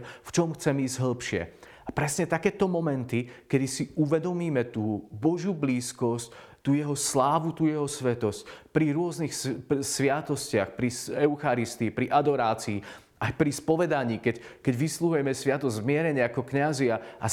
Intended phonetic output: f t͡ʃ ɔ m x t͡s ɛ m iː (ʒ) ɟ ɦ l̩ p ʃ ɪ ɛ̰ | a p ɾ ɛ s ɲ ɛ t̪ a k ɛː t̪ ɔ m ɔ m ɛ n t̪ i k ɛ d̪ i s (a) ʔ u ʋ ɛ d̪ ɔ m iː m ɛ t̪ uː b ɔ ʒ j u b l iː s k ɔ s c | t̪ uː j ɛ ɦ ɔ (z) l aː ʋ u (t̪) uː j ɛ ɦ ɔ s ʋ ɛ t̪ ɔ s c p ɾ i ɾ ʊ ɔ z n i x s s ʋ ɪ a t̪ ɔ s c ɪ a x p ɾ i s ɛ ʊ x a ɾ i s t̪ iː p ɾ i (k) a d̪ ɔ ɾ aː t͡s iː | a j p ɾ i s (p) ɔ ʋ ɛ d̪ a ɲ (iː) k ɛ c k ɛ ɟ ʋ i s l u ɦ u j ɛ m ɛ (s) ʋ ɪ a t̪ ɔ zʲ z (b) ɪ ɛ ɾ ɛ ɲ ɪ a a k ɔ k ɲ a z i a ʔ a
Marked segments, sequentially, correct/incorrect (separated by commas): incorrect, incorrect, incorrect, correct, incorrect, correct, correct, correct, incorrect